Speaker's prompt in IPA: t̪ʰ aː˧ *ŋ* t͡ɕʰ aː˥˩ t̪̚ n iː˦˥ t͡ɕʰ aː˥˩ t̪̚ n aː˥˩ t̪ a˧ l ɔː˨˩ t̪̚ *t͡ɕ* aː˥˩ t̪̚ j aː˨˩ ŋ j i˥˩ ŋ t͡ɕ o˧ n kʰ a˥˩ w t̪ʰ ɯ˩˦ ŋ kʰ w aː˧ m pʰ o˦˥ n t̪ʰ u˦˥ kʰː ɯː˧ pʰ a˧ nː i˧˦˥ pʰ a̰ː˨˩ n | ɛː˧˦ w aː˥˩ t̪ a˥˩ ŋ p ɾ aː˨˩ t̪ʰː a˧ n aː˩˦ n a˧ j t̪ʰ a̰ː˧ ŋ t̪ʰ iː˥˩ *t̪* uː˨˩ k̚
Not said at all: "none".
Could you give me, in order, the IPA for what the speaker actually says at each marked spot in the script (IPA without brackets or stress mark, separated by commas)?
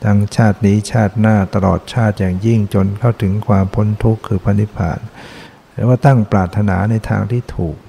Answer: ŋ, t͡ɕʰ, t̪ʰ